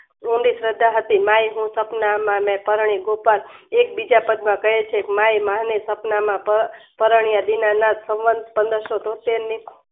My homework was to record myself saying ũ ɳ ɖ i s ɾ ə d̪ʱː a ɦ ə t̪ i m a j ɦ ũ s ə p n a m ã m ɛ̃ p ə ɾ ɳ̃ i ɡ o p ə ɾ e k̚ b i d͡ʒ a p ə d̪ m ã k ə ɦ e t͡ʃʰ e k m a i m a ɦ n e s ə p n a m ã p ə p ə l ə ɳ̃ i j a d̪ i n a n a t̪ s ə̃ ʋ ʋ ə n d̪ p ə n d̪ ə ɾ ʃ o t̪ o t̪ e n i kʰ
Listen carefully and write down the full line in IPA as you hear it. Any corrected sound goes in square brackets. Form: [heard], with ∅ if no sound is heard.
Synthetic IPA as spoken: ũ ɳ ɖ i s ɾ ə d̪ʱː a ɦ ə t̪ i m a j ɦ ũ s ə p n a m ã m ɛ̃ p ə ɾ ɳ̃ i ɡ o p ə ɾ e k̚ b i d͡ʒ a p ə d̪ m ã k ə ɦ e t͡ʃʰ e k m a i m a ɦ n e s ə p n a m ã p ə p ə [ɾ] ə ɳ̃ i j a d̪ i n a n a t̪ s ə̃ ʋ ʋ ə n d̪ p ə n d̪ ə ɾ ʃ o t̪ o t̪ e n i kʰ